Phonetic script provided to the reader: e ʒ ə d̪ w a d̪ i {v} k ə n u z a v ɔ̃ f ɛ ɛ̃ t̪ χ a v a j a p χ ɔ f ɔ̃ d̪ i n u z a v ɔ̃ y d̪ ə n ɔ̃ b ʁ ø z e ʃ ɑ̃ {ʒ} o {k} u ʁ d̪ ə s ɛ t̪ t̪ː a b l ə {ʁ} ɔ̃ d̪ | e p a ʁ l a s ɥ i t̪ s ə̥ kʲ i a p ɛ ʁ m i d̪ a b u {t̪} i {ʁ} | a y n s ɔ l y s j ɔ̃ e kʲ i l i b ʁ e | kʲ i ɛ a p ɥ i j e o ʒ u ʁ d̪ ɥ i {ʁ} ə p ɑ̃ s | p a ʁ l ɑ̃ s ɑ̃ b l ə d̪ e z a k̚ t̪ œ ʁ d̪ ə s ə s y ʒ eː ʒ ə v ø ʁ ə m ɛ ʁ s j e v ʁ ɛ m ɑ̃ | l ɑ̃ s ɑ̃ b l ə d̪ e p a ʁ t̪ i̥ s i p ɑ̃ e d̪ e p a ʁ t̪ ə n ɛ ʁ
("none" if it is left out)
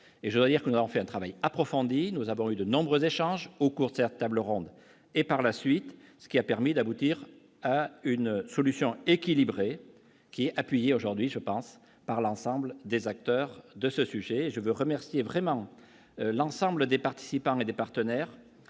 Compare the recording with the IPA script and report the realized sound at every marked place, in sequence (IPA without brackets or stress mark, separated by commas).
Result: ʁ, ʒ, k, ʁ, t̪, ʁ, ʒ